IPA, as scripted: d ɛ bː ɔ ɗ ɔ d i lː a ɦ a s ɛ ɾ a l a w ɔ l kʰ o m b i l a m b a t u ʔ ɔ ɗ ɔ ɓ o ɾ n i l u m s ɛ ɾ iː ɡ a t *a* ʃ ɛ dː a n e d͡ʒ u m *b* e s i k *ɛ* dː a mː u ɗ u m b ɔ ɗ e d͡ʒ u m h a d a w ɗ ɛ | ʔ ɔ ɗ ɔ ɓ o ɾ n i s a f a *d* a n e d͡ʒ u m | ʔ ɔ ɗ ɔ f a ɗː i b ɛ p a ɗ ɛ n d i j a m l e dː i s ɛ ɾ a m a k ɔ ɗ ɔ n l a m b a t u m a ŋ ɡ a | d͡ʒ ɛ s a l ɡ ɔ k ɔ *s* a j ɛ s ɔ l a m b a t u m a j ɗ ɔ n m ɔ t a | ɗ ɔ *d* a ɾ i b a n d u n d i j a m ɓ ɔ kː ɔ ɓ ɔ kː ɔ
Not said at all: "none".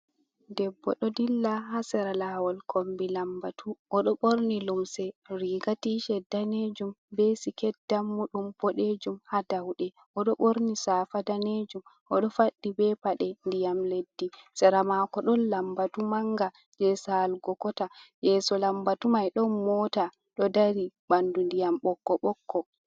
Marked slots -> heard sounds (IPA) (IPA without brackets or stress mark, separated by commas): i, b, ɛ, d, t, d